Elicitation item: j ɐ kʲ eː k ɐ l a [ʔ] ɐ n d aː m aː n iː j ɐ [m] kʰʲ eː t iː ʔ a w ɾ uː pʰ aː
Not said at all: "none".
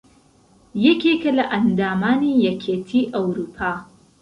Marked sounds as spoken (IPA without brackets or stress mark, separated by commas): ʔ, none